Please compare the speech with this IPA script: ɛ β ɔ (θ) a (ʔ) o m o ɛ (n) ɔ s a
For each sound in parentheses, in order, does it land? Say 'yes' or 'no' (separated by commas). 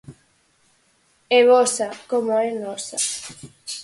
no, no, yes